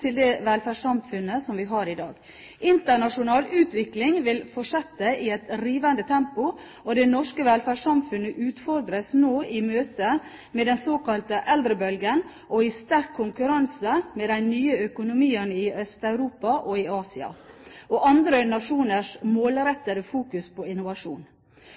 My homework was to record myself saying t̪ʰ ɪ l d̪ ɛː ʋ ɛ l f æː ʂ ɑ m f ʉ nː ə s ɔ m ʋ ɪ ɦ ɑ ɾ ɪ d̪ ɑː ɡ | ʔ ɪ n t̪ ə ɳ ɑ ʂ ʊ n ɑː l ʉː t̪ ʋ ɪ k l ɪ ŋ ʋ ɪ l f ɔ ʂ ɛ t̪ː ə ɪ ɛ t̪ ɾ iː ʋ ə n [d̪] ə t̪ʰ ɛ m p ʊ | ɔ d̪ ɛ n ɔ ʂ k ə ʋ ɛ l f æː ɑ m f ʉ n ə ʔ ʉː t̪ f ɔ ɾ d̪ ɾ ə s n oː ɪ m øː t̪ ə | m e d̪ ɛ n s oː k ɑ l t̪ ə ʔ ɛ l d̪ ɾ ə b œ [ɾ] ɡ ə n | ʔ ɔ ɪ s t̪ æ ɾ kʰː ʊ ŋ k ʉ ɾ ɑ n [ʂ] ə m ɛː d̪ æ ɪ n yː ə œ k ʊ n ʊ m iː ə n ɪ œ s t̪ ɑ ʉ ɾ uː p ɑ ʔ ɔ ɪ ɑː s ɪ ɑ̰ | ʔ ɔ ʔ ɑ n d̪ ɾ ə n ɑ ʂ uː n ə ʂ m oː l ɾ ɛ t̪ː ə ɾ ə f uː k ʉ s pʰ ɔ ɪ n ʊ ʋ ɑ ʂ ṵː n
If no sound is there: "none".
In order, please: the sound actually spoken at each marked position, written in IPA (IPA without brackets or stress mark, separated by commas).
d̪, l, s